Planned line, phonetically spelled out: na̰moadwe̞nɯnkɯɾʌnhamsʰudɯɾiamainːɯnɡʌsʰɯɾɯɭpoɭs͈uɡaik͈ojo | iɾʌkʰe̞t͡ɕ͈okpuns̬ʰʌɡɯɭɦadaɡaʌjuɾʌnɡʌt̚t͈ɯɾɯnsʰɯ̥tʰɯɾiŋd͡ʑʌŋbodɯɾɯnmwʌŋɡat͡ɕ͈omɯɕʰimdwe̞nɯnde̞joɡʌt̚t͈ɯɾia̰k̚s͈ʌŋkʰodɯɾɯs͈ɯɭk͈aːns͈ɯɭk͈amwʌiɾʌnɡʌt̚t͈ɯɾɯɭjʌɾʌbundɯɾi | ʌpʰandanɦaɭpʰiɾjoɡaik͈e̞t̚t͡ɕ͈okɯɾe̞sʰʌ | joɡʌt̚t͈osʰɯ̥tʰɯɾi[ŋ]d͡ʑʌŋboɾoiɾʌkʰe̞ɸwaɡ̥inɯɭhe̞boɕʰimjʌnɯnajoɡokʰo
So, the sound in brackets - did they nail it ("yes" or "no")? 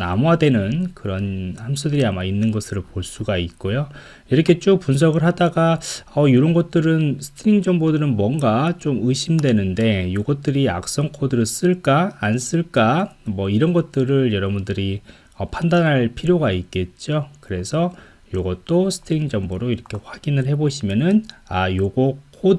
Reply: yes